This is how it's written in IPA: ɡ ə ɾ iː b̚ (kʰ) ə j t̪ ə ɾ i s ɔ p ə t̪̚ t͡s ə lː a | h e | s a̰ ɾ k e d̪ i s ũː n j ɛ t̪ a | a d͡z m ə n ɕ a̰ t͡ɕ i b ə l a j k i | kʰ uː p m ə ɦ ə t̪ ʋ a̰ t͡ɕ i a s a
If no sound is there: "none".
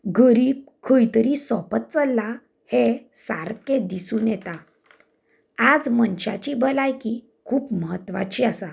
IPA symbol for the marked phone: kʰ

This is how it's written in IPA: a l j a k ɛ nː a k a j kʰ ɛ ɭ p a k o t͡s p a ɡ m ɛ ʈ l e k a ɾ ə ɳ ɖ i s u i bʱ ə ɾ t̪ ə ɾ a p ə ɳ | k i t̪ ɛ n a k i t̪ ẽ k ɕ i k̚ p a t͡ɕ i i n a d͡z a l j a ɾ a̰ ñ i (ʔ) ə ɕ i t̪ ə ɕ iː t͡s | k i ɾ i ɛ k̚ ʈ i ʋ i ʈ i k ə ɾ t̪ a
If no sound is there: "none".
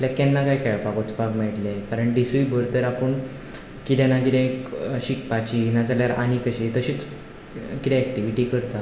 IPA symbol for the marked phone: k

